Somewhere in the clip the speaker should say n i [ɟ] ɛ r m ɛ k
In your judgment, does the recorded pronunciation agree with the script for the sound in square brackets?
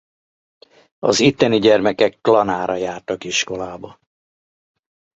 yes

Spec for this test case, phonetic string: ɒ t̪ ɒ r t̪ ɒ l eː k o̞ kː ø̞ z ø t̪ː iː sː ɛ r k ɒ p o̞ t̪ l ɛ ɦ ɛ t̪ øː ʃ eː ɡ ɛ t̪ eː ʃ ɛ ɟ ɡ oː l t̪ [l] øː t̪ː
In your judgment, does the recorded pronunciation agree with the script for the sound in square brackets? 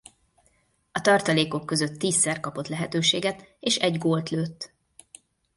yes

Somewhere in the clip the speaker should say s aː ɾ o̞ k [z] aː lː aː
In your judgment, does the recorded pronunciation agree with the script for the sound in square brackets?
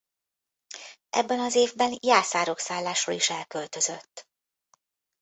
no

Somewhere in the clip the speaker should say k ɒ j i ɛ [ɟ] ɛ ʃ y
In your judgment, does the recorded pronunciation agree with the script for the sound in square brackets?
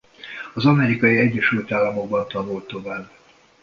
no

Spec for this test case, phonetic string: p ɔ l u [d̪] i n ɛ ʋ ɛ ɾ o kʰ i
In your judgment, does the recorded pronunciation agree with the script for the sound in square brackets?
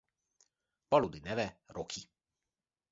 yes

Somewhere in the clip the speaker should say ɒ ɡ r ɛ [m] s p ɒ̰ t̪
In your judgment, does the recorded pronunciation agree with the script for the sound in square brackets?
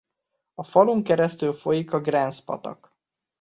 no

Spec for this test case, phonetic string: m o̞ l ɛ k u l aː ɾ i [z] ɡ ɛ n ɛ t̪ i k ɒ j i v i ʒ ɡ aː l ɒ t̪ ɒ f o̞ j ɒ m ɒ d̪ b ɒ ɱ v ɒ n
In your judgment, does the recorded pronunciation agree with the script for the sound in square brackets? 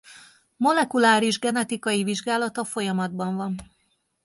no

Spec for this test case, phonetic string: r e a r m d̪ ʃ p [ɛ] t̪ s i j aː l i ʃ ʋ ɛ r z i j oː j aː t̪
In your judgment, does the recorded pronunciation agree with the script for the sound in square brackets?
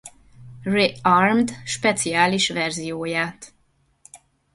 yes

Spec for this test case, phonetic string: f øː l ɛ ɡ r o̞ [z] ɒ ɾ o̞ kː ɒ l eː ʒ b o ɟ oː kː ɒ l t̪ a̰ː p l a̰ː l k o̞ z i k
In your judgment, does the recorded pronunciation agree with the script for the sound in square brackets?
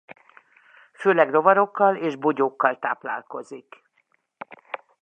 no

